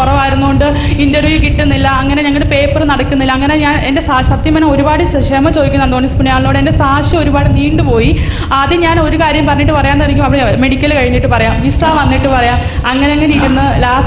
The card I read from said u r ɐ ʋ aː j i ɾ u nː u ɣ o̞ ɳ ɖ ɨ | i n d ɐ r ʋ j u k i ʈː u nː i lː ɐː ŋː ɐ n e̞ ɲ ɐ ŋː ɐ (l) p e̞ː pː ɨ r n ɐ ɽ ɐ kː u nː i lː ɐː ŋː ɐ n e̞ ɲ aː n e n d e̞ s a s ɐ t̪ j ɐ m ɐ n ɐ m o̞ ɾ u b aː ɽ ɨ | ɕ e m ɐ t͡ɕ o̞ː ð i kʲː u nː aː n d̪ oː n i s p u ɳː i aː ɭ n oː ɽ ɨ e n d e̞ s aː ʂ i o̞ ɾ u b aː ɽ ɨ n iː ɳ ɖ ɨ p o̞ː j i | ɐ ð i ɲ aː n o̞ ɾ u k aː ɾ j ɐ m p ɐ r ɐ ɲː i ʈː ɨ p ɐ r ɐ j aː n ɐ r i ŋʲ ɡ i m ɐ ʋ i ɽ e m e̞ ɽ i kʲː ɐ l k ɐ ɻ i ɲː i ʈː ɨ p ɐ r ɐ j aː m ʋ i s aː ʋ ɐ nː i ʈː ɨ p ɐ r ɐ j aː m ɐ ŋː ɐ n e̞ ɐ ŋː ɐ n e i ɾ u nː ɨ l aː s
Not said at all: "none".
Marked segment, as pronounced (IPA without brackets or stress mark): ɭ